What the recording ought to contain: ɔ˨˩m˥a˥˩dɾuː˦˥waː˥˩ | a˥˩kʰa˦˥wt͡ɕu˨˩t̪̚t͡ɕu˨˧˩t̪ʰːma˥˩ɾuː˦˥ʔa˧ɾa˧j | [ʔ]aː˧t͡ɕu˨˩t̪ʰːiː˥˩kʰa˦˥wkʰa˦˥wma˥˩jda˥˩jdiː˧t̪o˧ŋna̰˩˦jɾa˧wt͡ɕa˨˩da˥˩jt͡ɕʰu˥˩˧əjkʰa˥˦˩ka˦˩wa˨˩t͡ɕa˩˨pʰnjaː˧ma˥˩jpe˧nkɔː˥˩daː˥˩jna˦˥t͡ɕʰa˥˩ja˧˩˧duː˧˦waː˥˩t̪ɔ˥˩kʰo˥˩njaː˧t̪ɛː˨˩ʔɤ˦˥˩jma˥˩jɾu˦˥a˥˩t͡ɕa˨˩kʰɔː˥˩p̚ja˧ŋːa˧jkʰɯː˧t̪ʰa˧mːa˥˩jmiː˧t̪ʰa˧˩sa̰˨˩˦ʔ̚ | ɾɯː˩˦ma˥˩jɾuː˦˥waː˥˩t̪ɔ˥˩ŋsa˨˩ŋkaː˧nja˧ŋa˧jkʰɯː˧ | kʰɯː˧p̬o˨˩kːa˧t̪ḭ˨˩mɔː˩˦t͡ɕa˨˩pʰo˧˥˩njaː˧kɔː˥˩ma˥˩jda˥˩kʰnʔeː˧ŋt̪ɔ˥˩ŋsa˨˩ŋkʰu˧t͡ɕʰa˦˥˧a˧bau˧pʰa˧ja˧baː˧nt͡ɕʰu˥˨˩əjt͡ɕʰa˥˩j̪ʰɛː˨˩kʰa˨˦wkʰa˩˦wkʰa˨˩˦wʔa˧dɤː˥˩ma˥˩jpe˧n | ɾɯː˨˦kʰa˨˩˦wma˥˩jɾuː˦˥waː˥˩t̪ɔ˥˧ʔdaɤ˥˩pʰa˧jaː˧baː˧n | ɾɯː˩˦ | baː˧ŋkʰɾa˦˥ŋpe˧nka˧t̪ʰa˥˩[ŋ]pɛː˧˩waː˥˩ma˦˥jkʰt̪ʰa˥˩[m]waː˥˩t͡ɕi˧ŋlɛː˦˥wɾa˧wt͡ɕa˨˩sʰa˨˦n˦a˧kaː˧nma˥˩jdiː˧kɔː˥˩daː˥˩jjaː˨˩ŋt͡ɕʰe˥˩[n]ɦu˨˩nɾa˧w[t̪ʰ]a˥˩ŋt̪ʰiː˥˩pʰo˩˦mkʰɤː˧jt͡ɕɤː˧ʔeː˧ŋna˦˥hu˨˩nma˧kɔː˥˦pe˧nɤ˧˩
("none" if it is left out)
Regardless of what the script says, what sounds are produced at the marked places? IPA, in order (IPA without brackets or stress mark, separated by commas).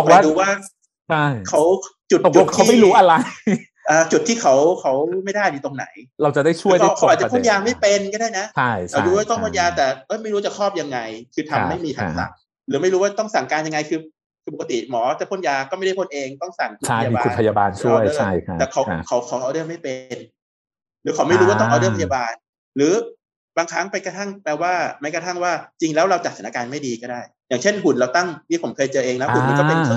ʔ, ŋ, ŋ, n, t̪